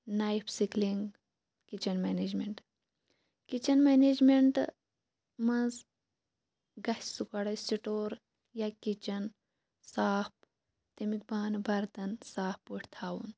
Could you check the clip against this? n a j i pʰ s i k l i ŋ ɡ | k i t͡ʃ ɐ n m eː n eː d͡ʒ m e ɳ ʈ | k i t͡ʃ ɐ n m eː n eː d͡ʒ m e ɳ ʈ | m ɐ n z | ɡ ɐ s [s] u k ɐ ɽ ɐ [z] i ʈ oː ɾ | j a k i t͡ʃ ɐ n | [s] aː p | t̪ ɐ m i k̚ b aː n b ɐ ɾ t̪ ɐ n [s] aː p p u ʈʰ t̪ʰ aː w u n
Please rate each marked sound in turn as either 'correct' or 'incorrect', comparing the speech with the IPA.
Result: correct, incorrect, correct, correct

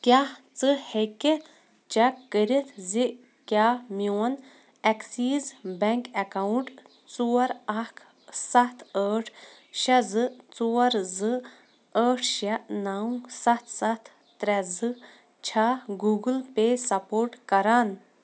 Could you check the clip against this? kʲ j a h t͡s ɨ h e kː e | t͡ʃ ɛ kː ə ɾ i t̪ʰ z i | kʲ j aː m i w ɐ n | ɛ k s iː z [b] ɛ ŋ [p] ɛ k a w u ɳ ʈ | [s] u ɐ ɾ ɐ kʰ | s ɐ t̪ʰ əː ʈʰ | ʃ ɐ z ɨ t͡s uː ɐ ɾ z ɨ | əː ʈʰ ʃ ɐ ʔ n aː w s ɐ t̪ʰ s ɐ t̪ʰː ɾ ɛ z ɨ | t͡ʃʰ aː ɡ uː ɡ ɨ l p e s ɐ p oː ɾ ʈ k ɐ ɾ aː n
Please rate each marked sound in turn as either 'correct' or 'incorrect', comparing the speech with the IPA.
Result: correct, incorrect, incorrect

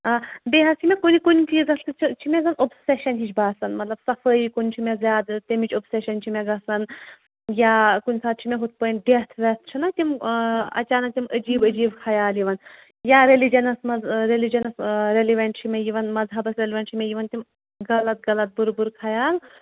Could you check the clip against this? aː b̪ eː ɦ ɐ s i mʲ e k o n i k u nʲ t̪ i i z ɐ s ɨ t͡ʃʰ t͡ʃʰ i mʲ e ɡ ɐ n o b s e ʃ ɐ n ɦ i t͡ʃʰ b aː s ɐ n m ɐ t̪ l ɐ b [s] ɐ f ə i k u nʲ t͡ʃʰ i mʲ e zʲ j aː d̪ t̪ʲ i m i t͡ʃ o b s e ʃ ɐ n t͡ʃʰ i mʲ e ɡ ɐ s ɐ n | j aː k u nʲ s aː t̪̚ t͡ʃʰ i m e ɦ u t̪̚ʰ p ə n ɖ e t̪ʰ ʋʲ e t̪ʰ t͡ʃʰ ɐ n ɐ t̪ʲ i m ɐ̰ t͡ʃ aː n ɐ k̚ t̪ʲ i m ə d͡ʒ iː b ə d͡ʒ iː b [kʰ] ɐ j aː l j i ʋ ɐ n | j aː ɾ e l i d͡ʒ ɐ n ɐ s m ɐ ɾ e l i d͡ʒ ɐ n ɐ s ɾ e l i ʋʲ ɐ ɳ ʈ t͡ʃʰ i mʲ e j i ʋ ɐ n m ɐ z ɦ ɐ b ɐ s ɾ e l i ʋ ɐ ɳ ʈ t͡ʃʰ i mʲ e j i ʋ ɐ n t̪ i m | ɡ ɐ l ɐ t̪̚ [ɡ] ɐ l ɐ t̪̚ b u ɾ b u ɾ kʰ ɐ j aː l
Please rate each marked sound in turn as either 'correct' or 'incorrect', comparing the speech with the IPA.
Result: correct, correct, correct

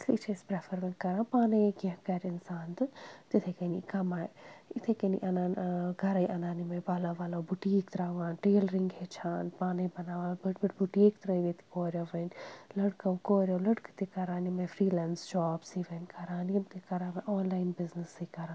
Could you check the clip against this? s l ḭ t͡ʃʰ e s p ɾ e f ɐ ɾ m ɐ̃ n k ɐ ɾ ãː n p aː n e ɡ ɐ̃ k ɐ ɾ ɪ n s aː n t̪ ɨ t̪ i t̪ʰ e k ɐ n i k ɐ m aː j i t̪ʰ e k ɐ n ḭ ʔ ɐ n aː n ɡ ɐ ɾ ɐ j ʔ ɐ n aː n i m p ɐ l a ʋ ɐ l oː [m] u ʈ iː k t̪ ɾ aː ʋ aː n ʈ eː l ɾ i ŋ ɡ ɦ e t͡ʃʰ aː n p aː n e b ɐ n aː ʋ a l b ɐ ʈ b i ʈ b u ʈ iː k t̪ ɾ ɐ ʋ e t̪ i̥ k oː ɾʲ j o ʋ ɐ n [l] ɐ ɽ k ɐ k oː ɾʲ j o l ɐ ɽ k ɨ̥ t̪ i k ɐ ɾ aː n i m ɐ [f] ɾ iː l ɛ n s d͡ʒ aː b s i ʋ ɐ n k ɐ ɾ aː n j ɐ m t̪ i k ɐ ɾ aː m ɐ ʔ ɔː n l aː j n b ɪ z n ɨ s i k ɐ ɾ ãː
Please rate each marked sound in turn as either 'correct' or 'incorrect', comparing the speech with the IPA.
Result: incorrect, correct, correct

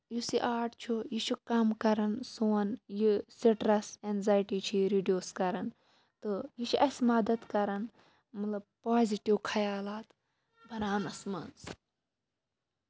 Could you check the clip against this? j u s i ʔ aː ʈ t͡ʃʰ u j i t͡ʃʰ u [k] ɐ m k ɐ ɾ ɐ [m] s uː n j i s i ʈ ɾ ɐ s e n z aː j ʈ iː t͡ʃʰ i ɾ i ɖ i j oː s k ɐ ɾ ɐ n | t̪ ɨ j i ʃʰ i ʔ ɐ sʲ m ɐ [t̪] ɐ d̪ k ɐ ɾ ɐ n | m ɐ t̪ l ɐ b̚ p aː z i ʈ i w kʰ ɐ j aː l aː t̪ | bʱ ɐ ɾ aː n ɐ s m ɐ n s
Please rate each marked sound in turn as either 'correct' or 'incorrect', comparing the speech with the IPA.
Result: correct, incorrect, incorrect

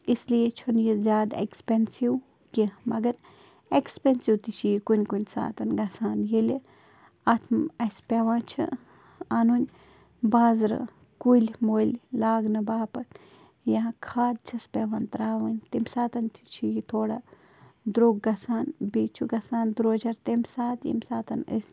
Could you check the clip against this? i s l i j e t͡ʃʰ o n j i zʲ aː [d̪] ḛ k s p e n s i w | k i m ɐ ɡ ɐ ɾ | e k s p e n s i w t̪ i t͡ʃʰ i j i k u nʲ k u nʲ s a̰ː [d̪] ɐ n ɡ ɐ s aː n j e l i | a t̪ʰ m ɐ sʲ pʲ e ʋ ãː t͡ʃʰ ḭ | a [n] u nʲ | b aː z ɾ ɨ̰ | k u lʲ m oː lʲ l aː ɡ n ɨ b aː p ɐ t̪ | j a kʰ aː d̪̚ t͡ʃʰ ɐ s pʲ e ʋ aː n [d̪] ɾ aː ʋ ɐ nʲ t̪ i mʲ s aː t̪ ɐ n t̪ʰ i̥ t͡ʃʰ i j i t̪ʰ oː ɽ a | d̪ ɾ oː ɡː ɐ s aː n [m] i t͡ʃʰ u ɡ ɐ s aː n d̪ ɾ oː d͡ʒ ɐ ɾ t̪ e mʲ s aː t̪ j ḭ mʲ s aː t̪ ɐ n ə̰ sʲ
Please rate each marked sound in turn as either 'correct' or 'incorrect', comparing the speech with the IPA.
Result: correct, incorrect, correct, incorrect, incorrect

